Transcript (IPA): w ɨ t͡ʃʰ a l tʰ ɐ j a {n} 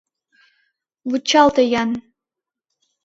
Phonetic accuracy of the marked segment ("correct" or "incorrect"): correct